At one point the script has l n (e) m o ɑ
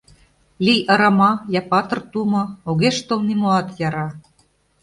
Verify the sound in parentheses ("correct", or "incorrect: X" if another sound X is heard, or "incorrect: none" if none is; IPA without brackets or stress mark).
incorrect: i